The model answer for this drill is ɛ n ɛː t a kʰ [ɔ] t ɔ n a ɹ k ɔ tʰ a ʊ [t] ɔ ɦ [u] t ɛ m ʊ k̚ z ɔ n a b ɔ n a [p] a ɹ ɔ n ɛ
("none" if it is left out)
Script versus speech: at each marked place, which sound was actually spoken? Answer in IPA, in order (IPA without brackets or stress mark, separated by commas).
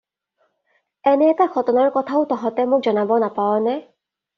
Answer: ɔ, t, ɔ, p